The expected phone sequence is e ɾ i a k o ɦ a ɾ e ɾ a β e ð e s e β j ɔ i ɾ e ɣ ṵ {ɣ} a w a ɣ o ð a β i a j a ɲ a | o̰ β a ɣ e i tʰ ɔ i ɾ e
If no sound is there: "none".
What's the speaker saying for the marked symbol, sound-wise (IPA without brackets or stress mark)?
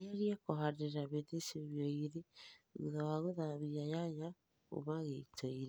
ð